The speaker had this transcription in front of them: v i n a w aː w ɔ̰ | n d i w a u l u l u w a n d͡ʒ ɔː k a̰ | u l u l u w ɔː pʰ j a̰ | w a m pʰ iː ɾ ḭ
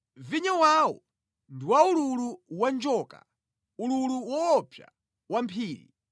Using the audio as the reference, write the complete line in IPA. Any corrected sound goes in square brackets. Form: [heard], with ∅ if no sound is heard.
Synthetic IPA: v i [ɲ] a w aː w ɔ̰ | n d i w a u l u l u w a n d͡ʒ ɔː k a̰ | u l u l u w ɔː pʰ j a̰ | w a m pʰ iː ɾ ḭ